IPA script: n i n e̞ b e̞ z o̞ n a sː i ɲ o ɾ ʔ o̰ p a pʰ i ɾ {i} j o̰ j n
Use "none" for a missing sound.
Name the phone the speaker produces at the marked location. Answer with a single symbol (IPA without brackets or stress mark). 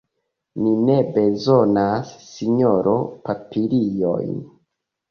i